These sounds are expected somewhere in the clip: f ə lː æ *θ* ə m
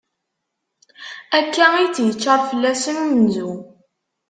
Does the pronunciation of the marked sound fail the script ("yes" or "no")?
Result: yes